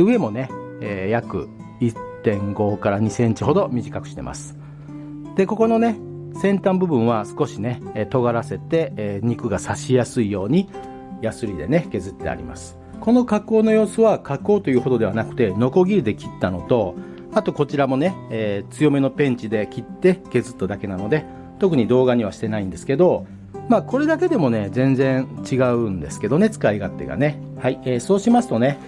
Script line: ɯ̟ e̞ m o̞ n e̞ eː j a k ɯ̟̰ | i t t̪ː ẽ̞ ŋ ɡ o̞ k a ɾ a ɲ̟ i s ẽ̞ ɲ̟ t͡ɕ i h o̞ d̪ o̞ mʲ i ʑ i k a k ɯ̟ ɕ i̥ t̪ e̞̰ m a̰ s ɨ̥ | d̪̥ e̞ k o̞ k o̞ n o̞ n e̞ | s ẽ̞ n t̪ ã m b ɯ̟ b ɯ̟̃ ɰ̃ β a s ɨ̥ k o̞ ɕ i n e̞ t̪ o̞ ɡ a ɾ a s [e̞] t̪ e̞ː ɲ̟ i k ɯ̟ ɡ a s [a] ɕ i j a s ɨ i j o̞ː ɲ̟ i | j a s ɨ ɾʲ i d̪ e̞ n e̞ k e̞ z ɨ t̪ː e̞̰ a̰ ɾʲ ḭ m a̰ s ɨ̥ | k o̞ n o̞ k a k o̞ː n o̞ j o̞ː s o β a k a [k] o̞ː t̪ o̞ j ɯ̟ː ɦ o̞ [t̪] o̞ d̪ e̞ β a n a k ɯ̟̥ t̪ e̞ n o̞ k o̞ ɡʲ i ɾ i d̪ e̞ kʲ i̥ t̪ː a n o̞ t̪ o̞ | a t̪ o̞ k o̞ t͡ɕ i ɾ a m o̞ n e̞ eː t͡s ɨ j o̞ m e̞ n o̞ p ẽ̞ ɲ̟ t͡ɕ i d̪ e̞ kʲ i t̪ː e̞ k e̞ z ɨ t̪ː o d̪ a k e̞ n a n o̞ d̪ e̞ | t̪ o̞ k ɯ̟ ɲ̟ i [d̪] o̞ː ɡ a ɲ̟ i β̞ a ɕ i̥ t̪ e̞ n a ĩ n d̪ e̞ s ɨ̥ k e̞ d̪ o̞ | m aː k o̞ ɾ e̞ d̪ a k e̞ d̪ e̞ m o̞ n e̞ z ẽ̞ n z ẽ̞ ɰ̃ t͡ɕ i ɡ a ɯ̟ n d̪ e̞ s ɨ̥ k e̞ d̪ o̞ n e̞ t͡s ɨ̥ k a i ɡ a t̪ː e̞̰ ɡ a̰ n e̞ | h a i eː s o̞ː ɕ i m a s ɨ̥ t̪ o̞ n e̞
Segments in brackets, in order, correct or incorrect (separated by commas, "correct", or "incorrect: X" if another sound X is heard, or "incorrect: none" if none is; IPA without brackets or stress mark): correct, correct, correct, incorrect: d̪, correct